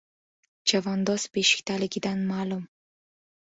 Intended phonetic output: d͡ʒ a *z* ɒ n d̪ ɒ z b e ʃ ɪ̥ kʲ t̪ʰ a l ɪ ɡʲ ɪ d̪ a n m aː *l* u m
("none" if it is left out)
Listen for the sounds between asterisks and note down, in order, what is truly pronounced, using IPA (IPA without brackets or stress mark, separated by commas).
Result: v, l